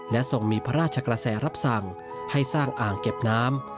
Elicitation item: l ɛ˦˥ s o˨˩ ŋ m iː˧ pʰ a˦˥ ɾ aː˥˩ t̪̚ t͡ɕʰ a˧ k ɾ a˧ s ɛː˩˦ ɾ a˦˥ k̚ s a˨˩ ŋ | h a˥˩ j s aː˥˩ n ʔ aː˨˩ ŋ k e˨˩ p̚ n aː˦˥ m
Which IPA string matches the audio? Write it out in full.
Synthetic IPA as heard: l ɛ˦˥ s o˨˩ ŋ m iː˧ pʰ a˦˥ ɾ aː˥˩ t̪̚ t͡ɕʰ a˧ k ɾ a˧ s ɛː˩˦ ɾ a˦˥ p̚ s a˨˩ ŋ | h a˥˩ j s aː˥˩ ŋ ʔ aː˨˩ ŋ k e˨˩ p̚ n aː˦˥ m